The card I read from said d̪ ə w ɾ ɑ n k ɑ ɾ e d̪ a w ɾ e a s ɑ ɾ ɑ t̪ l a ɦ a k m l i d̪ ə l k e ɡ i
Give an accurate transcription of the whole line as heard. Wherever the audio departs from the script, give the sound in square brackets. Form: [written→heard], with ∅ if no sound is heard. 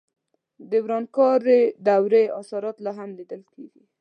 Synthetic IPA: d̪ ə w ɾ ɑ n k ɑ ɾ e d̪ a w ɾ e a s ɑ ɾ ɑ t̪ l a ɦ a [k→∅] m l i d̪ ə l k e ɡ i